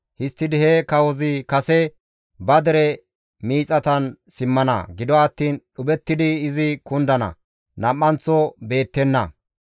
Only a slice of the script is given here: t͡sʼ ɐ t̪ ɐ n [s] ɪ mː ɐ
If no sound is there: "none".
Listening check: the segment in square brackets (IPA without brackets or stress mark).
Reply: s